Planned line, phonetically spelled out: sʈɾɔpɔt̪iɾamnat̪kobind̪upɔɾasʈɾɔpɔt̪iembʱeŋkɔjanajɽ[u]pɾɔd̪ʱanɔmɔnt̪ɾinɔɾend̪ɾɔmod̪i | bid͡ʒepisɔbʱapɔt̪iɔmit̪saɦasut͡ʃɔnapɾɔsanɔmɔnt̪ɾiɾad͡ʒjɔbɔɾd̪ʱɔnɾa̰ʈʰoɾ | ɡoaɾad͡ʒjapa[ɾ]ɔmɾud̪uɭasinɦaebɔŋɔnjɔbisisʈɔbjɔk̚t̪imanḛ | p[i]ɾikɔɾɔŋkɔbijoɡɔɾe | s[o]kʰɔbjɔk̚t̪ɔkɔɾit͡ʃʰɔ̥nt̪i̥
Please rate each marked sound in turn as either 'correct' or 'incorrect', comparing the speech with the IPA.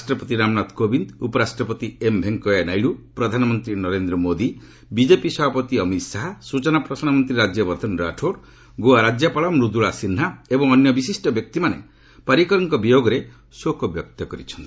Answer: correct, incorrect, incorrect, correct

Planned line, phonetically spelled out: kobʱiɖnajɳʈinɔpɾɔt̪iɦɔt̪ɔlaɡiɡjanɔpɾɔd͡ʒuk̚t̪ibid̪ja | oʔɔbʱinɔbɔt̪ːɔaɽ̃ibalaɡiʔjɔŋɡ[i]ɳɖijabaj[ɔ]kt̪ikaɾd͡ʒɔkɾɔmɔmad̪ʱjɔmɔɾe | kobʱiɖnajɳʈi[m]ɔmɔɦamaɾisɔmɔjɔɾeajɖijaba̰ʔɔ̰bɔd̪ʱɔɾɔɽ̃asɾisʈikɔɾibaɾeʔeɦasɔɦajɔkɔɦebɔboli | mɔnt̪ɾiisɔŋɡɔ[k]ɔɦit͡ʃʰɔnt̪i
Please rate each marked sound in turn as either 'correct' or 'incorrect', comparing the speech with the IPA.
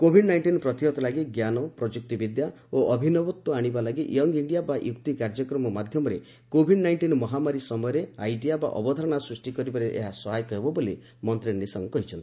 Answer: correct, incorrect, incorrect, correct

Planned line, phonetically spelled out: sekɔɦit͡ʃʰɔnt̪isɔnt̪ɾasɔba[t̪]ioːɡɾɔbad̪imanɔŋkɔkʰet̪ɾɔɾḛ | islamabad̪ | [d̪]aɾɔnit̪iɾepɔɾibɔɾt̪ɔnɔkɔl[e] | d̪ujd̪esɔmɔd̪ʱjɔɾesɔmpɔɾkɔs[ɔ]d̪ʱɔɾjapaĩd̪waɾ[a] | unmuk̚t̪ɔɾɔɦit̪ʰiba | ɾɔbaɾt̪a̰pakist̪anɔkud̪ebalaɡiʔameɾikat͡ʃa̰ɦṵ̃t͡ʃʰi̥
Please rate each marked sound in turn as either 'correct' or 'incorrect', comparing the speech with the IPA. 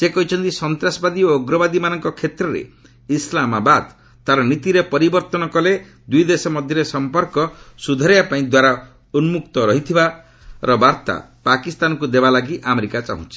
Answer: incorrect, incorrect, correct, incorrect, correct

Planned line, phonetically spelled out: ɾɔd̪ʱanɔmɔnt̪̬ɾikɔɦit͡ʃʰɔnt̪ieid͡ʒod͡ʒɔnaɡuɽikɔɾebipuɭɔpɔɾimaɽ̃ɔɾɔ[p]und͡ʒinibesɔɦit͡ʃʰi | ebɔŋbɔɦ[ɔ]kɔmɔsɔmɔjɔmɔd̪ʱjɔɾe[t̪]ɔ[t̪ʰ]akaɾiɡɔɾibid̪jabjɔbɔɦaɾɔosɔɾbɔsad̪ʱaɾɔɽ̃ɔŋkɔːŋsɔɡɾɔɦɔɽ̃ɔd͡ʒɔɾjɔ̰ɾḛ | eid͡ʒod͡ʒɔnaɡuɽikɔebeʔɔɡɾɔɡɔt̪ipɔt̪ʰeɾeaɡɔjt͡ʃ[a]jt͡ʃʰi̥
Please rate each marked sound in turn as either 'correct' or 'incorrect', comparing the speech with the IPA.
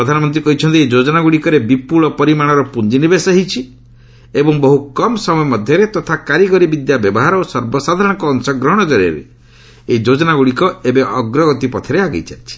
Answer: correct, incorrect, correct, correct, correct

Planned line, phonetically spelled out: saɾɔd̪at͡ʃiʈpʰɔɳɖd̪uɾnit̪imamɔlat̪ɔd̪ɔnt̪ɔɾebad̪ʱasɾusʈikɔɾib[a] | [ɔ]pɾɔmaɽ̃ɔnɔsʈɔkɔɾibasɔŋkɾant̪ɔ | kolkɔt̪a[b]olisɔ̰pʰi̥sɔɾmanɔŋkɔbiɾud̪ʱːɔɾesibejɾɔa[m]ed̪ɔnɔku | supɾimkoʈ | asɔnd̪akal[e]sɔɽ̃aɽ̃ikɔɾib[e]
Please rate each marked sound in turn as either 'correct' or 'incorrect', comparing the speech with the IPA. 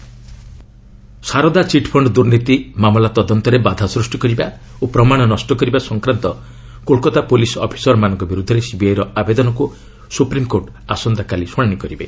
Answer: correct, incorrect, incorrect, incorrect, incorrect, correct

